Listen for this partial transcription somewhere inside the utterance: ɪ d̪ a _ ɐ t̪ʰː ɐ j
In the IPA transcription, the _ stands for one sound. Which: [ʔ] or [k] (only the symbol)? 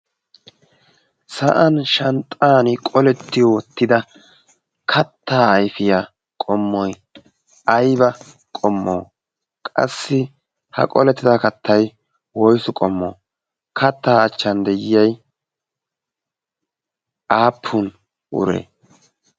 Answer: k